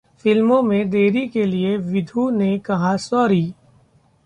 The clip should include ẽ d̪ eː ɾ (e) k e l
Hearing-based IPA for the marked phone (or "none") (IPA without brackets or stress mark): i